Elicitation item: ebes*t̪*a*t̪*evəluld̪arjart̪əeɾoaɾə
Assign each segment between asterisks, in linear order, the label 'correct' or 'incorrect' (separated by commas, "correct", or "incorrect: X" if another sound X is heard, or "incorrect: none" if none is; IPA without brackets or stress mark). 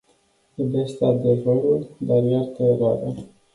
correct, incorrect: d̪